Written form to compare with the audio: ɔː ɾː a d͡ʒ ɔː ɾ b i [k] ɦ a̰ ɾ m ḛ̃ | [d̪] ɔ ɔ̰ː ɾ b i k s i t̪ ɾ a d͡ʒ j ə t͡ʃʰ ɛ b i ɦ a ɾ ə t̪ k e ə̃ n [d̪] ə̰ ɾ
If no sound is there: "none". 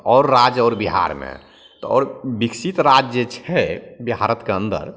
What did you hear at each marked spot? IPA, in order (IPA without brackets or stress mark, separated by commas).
none, t̪, d̪